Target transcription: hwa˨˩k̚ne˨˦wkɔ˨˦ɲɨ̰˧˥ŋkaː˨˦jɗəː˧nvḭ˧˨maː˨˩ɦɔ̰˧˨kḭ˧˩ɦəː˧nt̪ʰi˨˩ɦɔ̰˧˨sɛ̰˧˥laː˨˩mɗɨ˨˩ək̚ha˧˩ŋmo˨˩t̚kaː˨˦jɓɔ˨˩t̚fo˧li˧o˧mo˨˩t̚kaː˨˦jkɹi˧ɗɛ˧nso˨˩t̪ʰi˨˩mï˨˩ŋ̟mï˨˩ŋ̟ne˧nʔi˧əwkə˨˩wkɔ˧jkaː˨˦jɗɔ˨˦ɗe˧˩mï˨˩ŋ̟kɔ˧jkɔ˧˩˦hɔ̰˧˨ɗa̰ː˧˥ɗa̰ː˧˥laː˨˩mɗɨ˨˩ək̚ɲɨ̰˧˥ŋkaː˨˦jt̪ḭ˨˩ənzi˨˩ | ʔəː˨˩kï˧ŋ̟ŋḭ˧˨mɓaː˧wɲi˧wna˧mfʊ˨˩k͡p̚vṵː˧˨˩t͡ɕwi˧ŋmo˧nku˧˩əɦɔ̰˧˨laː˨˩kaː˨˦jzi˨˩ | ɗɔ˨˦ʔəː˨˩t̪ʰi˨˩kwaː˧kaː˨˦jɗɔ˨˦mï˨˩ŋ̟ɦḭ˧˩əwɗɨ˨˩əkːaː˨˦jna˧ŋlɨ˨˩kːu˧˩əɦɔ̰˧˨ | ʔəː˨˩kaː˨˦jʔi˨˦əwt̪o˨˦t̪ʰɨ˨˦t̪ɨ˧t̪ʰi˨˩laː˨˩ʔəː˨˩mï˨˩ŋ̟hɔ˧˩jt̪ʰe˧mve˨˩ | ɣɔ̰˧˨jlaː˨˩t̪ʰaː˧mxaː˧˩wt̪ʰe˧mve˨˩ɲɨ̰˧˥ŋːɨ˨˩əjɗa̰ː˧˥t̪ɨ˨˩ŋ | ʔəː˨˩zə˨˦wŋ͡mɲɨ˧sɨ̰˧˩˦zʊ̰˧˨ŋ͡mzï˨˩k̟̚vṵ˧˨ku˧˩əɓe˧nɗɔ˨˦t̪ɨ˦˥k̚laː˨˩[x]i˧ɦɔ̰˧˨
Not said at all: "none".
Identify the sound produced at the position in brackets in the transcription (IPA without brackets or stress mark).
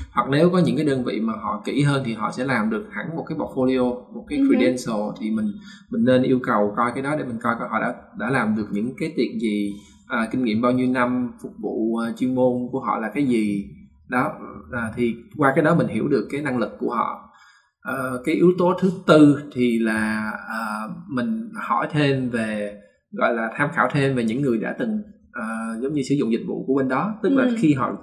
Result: x